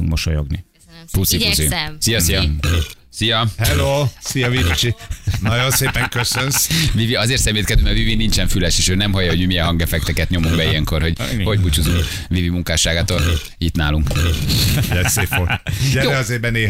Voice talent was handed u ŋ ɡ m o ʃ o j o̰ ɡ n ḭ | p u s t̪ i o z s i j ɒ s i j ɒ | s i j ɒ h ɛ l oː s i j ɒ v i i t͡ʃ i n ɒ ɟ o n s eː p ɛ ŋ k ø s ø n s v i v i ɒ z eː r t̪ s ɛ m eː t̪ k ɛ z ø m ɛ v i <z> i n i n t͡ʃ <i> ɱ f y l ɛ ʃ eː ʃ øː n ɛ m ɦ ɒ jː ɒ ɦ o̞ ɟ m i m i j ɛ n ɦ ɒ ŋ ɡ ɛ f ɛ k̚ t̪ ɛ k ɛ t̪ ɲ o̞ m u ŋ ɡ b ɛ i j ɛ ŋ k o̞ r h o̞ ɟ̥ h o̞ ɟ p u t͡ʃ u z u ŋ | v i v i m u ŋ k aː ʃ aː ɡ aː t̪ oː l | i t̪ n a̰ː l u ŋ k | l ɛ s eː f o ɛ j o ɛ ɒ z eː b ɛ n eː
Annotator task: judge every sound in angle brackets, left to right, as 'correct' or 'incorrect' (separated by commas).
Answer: incorrect, incorrect